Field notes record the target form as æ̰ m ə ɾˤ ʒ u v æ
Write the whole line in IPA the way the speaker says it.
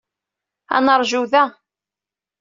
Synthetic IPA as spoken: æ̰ n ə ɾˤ ʒ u ð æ